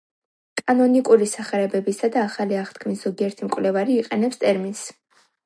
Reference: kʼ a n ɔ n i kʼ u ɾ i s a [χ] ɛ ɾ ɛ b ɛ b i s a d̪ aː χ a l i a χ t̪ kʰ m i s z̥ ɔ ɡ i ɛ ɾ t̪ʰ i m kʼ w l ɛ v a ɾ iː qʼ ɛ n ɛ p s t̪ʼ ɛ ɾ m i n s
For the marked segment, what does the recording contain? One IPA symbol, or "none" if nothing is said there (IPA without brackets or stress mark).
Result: χ